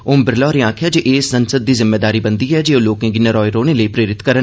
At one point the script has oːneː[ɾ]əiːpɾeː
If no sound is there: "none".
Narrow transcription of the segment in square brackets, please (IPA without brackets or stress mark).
l